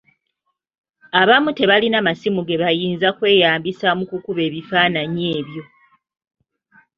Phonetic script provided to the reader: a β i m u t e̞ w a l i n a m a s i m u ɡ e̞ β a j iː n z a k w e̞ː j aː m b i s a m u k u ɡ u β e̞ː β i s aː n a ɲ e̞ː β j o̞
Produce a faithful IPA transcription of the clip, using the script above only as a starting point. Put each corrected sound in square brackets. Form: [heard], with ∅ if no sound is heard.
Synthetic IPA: a β [a] m u t e̞ [β] a l i n a m a s i m u ɡ e̞ β a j iː n z a k w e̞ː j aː m b i s a m u k u [k] u β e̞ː β i [f] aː n a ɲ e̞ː β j o̞